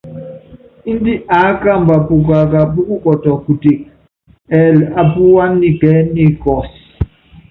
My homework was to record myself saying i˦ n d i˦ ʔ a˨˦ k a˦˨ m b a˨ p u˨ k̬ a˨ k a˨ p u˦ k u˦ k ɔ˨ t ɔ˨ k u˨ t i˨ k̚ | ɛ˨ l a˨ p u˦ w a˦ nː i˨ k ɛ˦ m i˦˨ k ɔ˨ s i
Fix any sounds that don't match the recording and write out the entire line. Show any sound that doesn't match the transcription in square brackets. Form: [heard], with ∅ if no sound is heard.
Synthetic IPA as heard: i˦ n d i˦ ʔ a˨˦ k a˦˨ m b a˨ p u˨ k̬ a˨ k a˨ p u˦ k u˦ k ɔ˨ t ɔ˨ k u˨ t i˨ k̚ | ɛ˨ l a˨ p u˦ w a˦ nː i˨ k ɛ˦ [n] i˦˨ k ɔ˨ s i